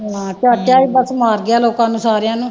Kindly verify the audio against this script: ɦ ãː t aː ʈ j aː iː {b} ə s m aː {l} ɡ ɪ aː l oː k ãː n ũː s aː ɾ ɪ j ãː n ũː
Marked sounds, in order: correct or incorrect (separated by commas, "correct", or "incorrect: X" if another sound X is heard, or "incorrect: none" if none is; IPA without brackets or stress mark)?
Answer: correct, incorrect: ɾ